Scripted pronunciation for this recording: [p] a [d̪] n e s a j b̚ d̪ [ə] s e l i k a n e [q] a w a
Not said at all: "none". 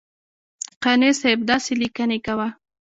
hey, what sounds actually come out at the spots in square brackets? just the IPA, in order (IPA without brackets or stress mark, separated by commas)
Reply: q, none, ɑ, k